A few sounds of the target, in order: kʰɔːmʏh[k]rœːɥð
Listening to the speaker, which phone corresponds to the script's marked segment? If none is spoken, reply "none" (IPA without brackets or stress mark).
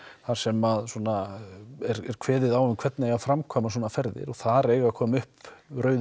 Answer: p